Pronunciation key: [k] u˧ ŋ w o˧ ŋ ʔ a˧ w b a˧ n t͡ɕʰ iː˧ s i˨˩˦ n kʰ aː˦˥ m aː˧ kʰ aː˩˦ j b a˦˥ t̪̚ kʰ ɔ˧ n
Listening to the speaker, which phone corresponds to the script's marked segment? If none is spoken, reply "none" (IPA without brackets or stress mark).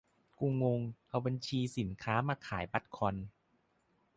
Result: k